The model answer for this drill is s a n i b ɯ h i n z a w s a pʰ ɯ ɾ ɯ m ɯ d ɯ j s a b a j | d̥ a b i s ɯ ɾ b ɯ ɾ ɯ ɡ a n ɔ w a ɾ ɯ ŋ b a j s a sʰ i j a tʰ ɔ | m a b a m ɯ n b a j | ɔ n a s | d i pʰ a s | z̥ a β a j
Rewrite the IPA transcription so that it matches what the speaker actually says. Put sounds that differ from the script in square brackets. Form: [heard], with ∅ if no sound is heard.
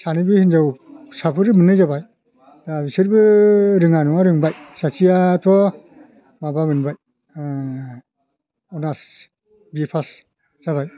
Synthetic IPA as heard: s a n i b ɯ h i n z a w s a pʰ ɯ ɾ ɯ m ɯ [n] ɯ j [z] a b a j | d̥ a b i s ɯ ɾ b ɯ ɾ ɯ [ŋ] a n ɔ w a ɾ ɯ ŋ b a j s a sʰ i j a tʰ ɔ | m a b a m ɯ n b a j | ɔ n a s | [b] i pʰ a s | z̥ a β a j